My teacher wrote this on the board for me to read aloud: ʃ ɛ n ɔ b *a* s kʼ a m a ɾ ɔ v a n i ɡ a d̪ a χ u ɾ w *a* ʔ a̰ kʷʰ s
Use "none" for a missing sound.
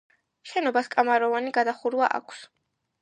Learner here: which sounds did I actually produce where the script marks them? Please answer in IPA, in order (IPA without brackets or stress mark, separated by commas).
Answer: a, a